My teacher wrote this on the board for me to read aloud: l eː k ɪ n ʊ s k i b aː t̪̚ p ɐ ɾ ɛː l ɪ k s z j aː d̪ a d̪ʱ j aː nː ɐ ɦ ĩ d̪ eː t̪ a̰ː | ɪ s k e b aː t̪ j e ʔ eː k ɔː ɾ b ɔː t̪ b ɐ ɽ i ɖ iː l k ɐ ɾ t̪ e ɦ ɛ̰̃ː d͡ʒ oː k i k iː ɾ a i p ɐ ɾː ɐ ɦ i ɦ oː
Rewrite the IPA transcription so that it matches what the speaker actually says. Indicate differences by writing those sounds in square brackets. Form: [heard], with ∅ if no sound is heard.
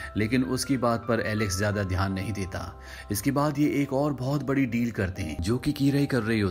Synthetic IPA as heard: l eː k ɪ n ʊ s k i b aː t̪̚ p ɐ ɾ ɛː l ɪ k s z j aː d̪ a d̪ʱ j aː nː ɐ ɦ ĩ d̪ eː t̪ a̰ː | ɪ s k e b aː [d̪] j e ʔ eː k ɔː ɾ b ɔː t̪ b ɐ ɽ i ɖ iː l k ɐ ɾ t̪ e ɦ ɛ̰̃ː d͡ʒ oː k i k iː ɾ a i [k] ɐ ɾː ɐ ɦ i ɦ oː